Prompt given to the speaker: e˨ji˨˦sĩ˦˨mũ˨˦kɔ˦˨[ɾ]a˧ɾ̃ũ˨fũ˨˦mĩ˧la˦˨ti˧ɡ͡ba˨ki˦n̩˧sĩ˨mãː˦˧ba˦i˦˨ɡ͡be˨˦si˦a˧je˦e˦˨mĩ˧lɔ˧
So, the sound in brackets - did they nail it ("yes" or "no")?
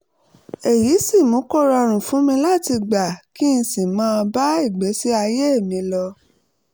yes